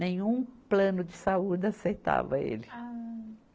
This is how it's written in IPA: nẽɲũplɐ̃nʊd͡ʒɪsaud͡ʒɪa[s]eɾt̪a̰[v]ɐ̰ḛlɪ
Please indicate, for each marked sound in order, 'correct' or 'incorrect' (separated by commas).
correct, correct